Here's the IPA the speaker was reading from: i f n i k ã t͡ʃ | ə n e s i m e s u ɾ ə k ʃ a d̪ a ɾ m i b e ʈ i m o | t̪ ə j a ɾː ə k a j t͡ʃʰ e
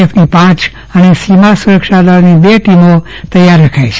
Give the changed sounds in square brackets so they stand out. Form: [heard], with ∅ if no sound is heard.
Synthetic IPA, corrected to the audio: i f n i [p] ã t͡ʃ | ə n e s i m [a] s u ɾ ə k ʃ a d̪ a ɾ [n] i b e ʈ i m o | t̪ ə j a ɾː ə [kʰ] a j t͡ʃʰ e